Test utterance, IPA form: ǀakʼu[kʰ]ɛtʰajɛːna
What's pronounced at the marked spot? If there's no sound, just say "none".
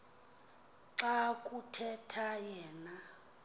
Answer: tʰ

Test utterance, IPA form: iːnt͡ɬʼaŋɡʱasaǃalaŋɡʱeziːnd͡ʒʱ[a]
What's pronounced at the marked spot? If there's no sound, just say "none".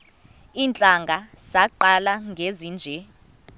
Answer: ɛ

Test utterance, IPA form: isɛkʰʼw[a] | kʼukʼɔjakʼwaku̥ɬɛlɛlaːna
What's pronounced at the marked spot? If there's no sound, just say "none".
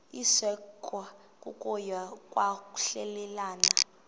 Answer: a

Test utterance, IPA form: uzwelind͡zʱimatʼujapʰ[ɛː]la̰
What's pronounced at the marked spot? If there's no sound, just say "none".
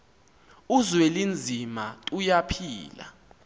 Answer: iː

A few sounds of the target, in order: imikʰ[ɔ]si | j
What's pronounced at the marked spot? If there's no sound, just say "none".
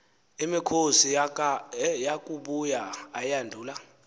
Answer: o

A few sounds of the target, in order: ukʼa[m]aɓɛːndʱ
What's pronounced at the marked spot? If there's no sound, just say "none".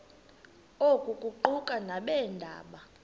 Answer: n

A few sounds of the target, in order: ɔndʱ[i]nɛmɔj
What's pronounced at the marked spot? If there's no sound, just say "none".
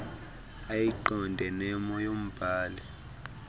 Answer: ɛ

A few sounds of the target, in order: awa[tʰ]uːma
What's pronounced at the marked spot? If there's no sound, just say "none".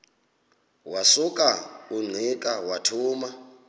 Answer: tʰ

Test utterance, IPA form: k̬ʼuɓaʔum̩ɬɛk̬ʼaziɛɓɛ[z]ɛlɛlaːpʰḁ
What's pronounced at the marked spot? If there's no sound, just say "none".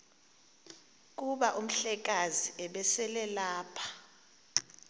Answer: s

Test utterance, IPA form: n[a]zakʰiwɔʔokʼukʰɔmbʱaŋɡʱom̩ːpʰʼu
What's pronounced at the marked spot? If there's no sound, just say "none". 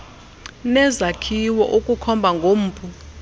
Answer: ɛ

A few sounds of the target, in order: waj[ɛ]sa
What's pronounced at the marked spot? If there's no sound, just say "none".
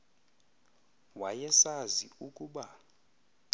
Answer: ɛ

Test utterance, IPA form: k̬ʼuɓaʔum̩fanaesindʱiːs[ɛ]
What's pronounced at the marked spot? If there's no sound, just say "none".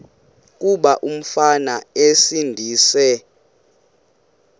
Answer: ɛ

